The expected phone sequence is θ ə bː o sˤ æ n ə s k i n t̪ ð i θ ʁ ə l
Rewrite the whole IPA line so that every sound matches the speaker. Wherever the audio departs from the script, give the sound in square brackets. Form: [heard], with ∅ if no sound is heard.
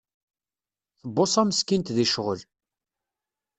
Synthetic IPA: θ ə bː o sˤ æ [m] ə s k i n t̪ ð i [ʃ] ʁ ə l